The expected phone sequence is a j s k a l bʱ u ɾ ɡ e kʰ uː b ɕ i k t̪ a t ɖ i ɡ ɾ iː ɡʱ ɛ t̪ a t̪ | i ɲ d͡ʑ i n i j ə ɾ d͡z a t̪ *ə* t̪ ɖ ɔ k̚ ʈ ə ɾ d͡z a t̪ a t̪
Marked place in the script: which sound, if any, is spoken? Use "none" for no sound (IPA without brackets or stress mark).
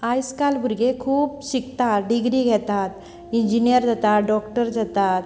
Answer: a